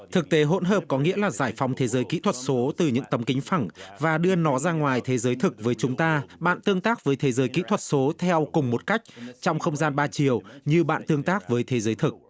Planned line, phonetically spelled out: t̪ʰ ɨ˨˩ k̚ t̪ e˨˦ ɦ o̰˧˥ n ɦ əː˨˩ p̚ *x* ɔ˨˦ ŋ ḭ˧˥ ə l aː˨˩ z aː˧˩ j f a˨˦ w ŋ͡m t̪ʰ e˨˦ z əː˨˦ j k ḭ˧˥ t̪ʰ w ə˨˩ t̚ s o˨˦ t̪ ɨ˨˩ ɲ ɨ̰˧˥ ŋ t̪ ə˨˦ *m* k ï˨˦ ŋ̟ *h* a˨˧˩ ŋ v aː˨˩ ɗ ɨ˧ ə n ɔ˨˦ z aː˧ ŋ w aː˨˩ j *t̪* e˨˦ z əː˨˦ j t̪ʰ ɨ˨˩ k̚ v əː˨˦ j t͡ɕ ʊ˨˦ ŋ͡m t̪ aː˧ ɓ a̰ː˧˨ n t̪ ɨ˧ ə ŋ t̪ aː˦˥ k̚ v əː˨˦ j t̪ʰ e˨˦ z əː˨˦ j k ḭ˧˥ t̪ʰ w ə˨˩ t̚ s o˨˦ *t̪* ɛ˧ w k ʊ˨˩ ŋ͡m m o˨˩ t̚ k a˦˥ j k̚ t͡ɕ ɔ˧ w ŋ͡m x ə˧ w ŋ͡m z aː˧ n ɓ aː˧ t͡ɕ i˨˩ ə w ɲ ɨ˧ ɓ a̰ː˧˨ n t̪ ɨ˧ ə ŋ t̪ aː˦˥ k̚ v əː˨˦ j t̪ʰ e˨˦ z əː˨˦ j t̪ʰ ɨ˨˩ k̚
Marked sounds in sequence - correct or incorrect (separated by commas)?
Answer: incorrect, correct, incorrect, incorrect, incorrect